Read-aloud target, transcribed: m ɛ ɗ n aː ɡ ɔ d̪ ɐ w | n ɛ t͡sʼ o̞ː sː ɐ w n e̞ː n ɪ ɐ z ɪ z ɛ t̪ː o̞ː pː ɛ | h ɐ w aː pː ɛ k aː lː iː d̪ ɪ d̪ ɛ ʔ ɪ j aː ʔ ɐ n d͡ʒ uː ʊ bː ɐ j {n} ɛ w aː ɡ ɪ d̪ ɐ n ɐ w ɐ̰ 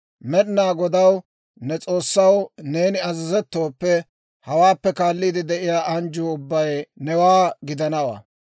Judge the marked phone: correct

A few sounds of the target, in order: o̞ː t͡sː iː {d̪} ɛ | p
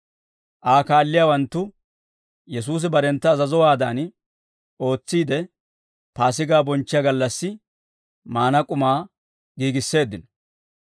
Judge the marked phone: correct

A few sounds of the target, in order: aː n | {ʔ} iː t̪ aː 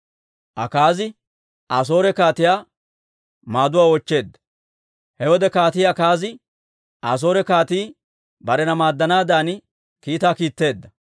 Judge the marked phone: incorrect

